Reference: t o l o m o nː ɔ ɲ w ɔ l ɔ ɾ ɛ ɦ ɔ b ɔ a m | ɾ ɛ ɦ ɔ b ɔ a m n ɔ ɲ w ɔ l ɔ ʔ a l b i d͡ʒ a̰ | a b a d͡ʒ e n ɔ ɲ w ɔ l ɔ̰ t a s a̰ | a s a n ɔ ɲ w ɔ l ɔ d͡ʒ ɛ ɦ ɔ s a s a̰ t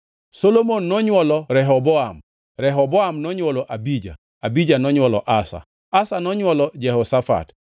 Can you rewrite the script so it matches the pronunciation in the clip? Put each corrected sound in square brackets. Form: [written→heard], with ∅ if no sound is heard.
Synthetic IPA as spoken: [t→s] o l o m o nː ɔ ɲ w ɔ l ɔ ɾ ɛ ɦ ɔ b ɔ a m | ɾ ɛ ɦ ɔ b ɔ a m n ɔ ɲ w ɔ l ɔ ʔ a [l→∅] b i d͡ʒ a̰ | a b [a→i] d͡ʒ [e→a] n ɔ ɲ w ɔ l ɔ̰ [t→ʔ] a s a̰ | a s a n ɔ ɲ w ɔ l ɔ d͡ʒ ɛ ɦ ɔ s a [s→f] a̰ t